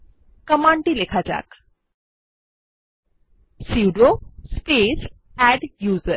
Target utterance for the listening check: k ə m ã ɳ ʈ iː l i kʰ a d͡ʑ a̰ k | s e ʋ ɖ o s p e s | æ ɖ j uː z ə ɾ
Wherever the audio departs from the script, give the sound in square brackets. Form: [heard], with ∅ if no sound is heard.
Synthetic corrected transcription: k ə m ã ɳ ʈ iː l [e] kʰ a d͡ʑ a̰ k | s [i] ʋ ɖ o s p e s | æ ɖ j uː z ə ɾ